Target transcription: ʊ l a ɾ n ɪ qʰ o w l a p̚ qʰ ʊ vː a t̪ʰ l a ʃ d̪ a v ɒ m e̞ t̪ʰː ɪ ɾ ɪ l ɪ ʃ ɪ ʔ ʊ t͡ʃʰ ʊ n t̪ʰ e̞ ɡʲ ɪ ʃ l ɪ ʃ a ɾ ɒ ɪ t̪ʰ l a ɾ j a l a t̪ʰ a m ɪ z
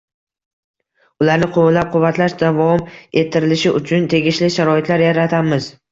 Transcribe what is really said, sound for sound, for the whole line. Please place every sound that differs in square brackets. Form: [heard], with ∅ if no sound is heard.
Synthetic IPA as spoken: ʊ l a ɾ n ɪ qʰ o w l a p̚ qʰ ʊ vː a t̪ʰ l a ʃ d̪ a v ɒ m e̞ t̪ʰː ɪ ɾ ɪ l ɪ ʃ ɪ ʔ ʊ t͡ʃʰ ʊ n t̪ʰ e̞ ɡʲ ɪ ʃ l ɪ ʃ a ɾ ɒ ɪ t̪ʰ l a ɾ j a [ɾ] a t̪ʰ a m ɪ z